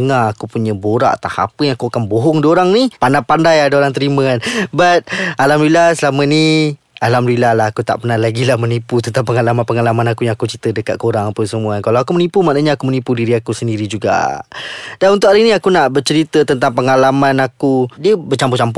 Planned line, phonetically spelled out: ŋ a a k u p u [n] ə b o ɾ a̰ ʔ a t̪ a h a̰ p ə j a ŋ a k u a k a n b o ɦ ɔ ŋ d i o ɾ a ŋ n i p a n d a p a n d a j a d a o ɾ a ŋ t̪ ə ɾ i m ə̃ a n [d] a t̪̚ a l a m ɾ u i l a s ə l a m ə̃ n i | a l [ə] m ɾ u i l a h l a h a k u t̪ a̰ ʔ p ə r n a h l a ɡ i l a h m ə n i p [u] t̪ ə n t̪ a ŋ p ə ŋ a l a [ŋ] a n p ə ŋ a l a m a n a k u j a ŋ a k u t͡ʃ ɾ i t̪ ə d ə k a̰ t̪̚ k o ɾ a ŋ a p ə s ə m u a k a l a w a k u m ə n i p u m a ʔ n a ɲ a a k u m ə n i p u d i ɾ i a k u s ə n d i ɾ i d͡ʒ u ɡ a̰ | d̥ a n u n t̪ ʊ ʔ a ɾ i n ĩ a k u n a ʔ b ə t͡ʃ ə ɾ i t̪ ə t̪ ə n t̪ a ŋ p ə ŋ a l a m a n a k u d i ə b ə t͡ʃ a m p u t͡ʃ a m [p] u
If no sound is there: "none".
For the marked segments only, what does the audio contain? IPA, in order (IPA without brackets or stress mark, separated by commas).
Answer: ɲ, b, a, u, m, p